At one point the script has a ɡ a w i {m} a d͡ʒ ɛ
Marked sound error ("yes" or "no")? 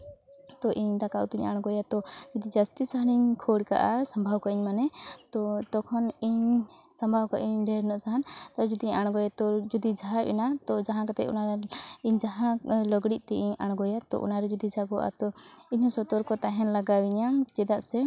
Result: yes